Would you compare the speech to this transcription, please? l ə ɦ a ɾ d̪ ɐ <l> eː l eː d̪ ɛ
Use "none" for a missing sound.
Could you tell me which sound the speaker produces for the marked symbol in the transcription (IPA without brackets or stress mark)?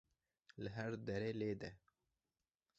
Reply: ɾ